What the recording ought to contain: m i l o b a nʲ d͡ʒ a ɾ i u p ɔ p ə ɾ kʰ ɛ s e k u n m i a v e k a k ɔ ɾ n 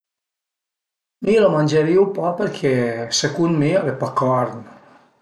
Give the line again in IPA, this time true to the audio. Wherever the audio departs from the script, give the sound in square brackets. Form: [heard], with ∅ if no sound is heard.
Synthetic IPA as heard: m i l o [m] a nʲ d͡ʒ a ɾ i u p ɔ p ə ɾ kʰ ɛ s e k u n m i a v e [p] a k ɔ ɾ n